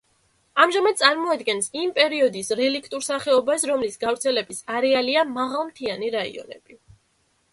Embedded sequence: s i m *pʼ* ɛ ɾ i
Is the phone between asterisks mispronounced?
no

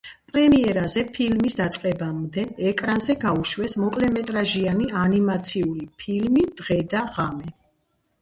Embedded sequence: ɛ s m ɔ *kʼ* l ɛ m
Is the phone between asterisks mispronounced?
no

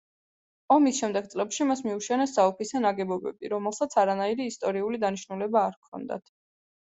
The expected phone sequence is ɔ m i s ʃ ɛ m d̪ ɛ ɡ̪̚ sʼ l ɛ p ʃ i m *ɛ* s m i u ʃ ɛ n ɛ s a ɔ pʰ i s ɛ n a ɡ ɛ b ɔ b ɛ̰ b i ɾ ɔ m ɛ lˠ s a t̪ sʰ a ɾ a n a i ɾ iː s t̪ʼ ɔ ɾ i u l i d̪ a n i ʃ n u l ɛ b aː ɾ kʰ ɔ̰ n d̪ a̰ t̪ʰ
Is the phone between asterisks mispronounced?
yes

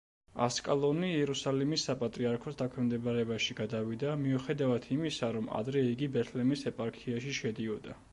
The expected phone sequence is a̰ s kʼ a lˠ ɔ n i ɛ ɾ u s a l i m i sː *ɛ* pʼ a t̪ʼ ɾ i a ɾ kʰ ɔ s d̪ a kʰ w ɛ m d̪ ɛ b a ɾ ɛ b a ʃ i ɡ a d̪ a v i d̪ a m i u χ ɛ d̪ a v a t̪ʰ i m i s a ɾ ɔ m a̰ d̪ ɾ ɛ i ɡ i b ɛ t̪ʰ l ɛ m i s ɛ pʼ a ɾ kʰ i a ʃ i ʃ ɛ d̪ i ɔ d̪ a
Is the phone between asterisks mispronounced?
yes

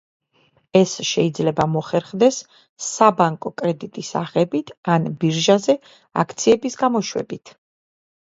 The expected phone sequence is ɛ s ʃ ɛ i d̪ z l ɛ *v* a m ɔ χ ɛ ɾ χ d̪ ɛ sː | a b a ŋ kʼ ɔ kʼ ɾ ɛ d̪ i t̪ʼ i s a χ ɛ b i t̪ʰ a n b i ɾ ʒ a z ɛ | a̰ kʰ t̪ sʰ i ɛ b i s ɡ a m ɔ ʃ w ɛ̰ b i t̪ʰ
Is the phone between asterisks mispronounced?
yes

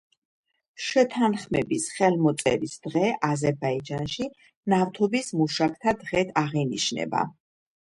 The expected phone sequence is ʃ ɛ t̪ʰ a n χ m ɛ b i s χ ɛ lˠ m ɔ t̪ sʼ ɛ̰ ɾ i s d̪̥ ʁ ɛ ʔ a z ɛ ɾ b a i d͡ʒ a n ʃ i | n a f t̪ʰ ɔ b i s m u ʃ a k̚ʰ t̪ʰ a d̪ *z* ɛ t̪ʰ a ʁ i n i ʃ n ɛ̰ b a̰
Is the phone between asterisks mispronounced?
yes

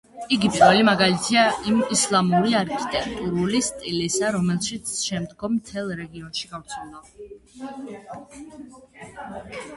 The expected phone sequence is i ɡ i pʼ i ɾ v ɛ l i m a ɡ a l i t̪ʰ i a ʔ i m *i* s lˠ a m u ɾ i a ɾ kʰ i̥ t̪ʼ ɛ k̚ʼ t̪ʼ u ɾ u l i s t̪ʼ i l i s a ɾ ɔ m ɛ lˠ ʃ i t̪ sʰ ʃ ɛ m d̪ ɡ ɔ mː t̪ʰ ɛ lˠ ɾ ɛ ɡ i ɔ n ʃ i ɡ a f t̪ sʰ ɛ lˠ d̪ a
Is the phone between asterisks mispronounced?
no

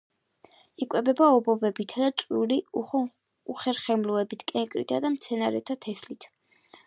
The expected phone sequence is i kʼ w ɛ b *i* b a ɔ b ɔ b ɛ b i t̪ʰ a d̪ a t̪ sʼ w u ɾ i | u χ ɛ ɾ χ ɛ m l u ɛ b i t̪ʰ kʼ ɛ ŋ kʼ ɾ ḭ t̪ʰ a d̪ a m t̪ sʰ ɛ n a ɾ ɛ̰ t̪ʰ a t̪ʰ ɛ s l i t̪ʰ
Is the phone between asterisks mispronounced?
yes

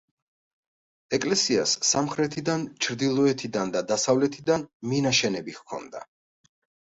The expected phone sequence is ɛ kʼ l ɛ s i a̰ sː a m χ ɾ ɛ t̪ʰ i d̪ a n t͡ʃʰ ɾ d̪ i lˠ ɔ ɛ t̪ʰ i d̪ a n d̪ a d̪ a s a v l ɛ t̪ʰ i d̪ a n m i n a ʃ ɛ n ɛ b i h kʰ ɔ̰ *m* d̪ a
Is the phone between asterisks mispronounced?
yes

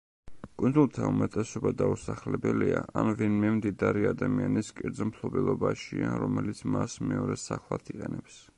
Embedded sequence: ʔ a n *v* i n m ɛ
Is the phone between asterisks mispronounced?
no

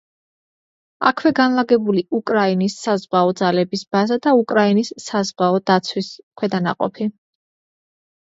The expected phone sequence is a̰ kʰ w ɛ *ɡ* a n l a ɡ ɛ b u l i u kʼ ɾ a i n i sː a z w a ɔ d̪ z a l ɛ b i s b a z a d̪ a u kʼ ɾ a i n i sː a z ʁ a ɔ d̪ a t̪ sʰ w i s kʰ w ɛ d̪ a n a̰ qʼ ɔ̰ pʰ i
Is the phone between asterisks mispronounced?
no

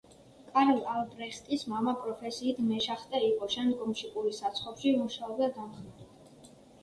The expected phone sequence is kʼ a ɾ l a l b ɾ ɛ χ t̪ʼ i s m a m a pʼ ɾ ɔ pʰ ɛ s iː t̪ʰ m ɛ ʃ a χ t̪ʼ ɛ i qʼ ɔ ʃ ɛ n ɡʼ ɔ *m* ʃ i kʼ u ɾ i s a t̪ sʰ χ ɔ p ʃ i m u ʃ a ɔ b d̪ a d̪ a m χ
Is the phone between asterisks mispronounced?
no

